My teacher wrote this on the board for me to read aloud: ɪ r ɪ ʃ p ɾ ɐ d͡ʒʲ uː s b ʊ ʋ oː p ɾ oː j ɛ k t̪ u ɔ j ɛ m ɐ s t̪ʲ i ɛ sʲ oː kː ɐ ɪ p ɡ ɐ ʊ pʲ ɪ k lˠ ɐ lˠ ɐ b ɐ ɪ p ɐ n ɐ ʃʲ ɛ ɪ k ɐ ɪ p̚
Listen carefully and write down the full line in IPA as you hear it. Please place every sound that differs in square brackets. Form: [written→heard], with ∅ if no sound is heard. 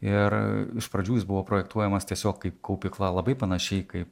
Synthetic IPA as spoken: ɪ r ɪ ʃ p ɾ ɐ d͡ʒʲ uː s b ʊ ʋ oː p ɾ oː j ɛ k t̪ u ɔ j ɛ m ɐ s t̪ʲ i ɛ sʲ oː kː ɐ ɪ p [ɡ→k] ɐ ʊ pʲ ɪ k lˠ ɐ lˠ ɐ b ɐ ɪ p ɐ n ɐ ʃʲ ɛ ɪ k ɐ ɪ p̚